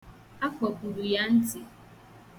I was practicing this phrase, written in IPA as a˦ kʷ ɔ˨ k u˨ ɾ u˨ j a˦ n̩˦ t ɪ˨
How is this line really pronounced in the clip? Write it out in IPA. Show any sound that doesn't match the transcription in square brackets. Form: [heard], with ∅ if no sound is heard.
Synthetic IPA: a˦ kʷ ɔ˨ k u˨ ɾ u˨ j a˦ n̩˦ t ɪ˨